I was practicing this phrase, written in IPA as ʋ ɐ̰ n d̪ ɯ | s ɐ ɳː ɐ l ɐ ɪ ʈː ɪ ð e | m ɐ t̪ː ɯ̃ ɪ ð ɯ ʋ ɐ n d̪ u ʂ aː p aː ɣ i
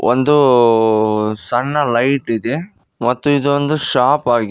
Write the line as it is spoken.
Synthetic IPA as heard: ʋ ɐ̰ n d̪ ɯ | s ɐ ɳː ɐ l ɐ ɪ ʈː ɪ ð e | m ɐ t̪ː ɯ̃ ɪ ð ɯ ʋ ɐ n d̪ ɯ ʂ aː p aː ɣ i